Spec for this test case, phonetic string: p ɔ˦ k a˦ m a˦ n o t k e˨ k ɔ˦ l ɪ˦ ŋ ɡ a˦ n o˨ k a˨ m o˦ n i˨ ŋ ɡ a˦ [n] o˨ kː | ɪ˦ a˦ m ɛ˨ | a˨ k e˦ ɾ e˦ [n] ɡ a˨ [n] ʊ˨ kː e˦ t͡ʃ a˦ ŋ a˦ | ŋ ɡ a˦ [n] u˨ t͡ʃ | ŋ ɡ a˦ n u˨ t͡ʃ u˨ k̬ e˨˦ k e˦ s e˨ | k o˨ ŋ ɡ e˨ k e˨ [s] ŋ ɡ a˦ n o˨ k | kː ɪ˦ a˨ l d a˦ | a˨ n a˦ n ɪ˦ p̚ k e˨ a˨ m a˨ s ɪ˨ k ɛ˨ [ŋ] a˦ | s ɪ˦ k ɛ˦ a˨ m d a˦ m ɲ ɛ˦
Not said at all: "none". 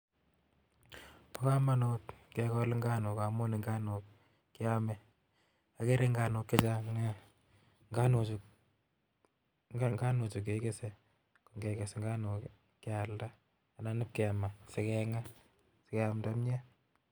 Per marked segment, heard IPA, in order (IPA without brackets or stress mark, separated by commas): n, ŋ, n, n, s, ŋ